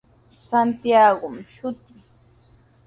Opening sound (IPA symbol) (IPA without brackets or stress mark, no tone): s